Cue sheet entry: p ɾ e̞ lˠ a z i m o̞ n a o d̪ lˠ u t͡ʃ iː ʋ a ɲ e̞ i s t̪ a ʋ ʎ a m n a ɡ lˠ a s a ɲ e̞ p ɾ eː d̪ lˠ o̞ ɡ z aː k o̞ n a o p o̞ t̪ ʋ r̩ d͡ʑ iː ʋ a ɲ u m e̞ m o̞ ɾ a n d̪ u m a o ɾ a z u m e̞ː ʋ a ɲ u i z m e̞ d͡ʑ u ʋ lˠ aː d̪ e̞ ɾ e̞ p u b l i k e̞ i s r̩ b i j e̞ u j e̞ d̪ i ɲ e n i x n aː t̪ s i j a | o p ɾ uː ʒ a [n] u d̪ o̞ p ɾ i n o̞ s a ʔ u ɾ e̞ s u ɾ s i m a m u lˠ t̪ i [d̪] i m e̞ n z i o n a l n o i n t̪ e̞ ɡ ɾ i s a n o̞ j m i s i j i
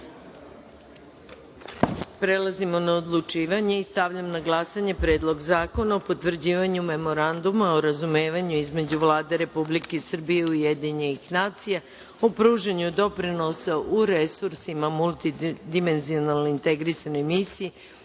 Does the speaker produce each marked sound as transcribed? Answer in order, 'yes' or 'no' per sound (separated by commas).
no, yes